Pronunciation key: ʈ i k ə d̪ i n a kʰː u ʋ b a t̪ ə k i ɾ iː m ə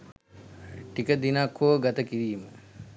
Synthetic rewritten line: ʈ i k ə d̪ i n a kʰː o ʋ ɡ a t̪ ə k i ɾ iː m ə